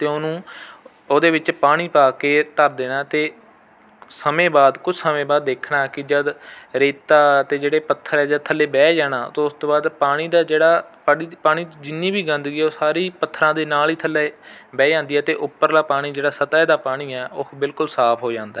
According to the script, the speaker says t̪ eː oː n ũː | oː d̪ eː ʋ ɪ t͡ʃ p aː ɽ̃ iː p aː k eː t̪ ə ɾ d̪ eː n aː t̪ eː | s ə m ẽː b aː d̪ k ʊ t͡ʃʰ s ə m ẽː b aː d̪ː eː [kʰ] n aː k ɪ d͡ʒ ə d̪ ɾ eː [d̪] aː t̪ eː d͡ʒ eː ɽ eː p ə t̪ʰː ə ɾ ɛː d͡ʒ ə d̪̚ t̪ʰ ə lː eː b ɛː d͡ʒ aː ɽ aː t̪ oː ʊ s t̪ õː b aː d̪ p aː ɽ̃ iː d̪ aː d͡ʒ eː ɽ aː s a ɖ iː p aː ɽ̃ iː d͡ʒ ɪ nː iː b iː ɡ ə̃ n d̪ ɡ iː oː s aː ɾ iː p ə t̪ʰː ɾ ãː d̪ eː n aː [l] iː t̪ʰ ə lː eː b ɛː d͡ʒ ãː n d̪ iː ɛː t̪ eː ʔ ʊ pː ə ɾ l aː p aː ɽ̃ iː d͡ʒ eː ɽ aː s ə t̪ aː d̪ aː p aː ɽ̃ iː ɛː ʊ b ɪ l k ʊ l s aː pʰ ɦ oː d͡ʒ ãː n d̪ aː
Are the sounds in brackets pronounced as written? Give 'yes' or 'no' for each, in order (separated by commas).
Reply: yes, no, yes